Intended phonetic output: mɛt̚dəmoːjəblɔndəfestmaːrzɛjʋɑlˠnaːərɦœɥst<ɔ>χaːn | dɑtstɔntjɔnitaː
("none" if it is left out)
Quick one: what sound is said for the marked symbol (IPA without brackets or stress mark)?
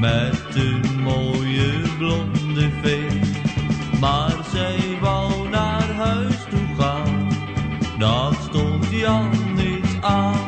u